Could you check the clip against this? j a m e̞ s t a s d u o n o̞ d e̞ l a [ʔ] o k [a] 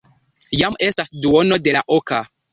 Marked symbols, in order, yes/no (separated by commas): yes, yes